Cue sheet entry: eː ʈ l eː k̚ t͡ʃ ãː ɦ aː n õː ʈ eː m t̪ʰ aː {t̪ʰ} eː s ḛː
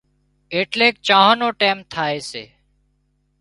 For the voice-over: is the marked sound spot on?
no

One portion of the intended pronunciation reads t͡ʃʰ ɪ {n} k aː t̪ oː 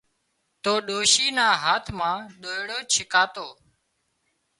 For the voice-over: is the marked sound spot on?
no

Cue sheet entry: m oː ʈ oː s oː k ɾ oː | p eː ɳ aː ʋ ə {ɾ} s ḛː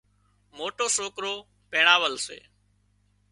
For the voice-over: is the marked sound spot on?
no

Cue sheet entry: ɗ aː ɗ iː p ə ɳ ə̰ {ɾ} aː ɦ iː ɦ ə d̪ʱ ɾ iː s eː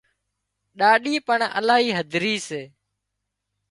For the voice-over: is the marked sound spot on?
no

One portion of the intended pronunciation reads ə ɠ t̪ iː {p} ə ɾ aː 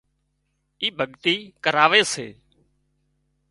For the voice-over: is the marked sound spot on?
no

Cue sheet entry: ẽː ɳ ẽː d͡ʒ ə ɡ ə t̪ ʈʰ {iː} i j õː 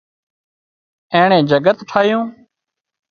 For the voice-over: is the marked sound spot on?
no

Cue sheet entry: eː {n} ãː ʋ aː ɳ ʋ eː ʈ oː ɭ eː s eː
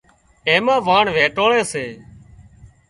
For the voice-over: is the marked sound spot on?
no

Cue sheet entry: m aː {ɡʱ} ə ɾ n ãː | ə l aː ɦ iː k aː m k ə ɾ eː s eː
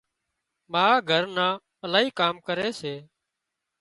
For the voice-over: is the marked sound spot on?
yes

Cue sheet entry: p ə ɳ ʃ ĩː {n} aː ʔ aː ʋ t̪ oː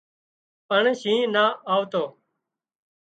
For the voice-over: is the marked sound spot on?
yes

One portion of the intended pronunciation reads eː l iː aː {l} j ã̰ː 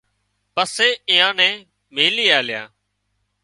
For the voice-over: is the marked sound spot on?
yes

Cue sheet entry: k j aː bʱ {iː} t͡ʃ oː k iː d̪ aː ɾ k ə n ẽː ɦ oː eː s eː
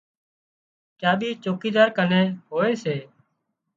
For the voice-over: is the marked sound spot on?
yes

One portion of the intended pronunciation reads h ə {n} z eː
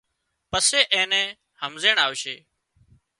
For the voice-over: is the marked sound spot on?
no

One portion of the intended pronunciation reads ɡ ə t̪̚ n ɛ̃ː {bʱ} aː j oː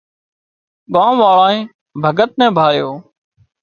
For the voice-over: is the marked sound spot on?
yes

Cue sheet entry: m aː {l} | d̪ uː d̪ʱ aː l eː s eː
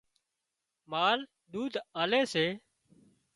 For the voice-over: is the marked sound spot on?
yes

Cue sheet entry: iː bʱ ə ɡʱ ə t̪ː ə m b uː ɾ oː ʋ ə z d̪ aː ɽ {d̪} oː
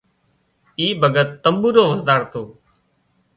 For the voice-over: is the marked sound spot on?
no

